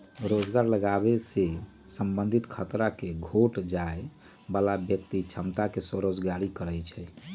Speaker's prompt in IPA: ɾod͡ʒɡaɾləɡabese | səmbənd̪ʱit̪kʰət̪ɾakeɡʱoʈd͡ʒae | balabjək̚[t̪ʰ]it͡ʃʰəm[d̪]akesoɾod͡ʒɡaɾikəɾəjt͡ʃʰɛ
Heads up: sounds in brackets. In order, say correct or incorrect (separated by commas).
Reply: incorrect, incorrect